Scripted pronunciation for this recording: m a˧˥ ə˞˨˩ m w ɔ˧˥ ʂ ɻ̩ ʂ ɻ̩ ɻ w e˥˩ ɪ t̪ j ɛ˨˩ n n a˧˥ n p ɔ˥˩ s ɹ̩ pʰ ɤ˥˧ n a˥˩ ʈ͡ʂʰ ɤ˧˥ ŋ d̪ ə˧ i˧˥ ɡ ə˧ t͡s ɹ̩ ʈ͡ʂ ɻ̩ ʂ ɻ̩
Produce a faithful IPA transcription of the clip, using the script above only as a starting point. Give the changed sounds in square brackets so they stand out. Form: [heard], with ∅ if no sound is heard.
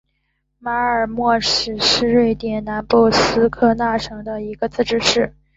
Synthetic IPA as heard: m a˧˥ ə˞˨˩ m w [ɔ˥˩] ʂ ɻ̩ ʂ ɻ̩ ɻ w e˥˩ ɪ t̪ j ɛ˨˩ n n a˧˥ n p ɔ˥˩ s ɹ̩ [kʰ] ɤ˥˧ n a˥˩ ʈ͡ʂʰ ɤ˧˥ ŋ d̪ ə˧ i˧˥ ɡ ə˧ t͡s ɹ̩ ʈ͡ʂ ɻ̩ ʂ ɻ̩